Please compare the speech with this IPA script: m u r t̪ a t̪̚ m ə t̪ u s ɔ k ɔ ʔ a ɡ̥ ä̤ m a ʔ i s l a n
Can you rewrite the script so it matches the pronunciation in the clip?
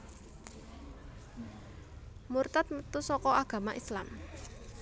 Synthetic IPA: m u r t̪ a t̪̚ m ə t̪ u s ɔ k ɔ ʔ a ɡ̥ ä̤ m a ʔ i s l a m